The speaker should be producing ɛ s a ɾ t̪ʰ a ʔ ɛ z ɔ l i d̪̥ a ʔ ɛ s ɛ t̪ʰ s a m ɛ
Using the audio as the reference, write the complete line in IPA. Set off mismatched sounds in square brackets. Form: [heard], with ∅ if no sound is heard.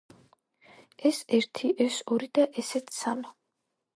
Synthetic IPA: ɛ s [ɛ] ɾ t̪ʰ [i] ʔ ɛ [s] ɔ [ɾ] i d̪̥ a ʔ ɛ s ɛ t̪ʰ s a m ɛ